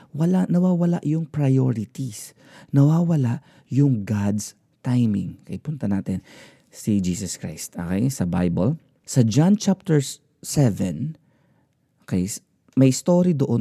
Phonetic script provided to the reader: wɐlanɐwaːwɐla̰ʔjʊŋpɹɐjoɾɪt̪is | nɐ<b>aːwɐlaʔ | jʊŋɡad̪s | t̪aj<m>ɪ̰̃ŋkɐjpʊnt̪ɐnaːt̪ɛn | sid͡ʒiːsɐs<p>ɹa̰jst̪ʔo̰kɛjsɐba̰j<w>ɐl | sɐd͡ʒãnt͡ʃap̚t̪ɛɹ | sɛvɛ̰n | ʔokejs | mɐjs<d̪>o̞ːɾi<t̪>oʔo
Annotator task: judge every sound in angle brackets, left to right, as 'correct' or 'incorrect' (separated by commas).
incorrect, correct, incorrect, incorrect, incorrect, incorrect